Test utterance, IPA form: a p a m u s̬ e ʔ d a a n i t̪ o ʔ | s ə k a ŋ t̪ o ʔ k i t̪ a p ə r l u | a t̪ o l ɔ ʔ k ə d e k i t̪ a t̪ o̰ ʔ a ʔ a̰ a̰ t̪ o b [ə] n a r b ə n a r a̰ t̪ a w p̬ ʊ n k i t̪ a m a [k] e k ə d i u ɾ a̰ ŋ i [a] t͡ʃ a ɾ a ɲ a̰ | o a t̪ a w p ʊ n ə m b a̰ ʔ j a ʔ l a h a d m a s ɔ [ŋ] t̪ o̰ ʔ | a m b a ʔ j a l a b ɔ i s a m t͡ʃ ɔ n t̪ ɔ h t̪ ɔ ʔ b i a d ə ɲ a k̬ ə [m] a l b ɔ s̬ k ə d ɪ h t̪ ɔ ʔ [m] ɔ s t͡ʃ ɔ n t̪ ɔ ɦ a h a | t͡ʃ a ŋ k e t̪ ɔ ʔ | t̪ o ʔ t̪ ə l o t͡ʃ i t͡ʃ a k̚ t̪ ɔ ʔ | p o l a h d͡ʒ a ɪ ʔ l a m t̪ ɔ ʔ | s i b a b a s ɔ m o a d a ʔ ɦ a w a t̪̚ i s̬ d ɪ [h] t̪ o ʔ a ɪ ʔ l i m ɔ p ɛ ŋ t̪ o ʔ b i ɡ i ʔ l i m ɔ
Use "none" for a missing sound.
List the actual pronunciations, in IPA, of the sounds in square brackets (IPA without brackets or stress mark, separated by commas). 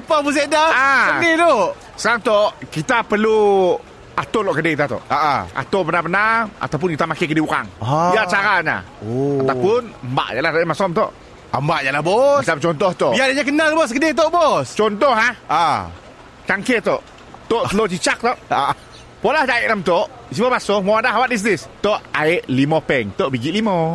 ə, k, a, m, n, b, s